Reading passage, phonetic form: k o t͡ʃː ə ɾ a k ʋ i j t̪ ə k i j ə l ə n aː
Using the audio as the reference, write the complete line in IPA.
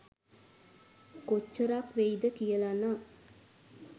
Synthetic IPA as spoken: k o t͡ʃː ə ɾ a k ʋ e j d̪ ə k i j ə l a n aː